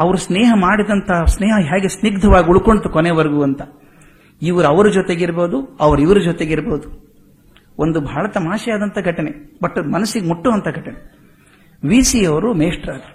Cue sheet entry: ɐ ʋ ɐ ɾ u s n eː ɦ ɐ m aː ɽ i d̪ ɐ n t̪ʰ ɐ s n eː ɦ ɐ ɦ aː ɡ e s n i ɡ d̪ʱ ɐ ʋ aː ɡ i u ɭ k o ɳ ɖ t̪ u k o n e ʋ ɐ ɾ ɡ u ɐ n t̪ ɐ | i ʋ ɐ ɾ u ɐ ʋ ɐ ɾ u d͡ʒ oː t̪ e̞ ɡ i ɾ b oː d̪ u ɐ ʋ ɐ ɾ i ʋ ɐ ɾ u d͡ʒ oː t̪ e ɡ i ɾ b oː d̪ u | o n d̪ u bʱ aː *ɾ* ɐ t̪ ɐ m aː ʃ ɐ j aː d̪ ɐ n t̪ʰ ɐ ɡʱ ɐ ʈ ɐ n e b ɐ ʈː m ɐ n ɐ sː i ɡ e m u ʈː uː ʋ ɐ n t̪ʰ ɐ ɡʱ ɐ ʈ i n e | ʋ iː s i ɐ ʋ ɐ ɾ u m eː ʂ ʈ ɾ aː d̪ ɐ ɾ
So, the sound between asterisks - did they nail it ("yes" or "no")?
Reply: no